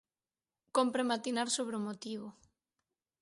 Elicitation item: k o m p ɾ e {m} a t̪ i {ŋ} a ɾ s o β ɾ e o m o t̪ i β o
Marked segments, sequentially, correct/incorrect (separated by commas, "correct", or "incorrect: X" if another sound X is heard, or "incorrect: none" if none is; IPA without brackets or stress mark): correct, incorrect: n